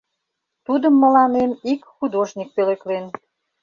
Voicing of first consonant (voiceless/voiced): voiceless